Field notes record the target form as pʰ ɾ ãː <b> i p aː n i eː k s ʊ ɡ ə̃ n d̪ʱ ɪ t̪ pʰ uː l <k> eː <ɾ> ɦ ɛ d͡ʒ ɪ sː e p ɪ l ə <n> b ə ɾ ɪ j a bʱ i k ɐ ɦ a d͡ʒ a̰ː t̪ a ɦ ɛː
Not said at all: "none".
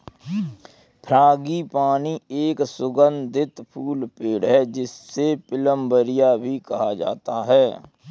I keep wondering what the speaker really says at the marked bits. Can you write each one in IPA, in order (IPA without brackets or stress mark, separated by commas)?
ɡ, p, ɽ, m